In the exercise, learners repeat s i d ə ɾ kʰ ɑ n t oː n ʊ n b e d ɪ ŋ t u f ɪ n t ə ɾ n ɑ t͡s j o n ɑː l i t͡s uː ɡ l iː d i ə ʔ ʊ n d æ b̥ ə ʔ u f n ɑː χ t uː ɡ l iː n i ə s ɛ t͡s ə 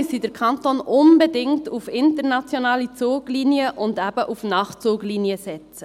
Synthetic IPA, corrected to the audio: s i d ə ɾ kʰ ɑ n t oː n ʊ n b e d ɪ ŋ t u f ɪ n t ə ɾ n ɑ t͡s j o n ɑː l i t͡s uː ɡ l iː n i ə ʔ ʊ n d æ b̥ ə ʔ u f n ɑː χ t͡s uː ɡ l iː n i ə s ɛ t͡s ə